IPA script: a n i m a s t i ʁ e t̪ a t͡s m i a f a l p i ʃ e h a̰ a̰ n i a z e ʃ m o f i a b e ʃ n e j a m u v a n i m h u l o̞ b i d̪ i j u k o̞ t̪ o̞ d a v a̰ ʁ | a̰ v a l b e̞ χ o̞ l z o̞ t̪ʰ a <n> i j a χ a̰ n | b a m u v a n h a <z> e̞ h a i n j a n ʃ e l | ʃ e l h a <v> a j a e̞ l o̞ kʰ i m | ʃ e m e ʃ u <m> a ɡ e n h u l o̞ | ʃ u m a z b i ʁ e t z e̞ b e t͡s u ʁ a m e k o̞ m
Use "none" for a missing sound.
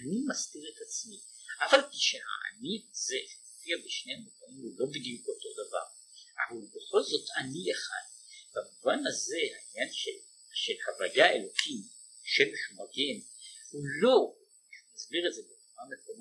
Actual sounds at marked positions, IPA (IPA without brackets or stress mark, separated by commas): n, z, v, m